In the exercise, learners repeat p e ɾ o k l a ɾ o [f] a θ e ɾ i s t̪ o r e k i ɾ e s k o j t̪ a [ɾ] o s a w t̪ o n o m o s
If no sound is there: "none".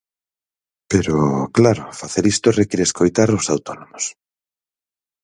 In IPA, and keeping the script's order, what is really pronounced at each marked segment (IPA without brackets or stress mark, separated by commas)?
f, ɾ